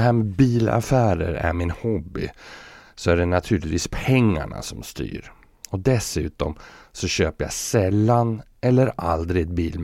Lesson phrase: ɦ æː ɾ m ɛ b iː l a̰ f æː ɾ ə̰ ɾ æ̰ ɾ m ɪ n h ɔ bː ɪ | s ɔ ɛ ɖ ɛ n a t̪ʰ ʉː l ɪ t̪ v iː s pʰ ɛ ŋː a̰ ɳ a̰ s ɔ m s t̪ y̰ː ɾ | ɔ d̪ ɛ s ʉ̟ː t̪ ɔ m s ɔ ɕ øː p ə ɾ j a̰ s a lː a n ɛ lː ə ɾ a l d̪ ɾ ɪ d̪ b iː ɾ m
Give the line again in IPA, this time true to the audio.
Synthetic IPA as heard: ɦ æː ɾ m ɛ b iː l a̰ f æː ɾ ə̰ ɾ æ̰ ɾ m ɪ n h ɔ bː ɪ | s ɔ æ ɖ ɛ n a t̪ʰ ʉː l ɪ t̪ v iː s pʰ ɛ ŋː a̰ ɳ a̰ s ɔ m s t̪ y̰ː ɾ | ɔ d̪ ɛ s ʉ̟ː t̪ ɔ m s ɔ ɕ øː p ə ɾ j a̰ s ɛ lː a n ɛ lː ə ɾ a l d̪ ɾ ɪ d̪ b iː l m